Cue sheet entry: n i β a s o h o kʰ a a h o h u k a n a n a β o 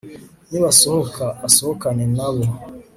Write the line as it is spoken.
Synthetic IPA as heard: n i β a s o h o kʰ a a s o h o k a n e n a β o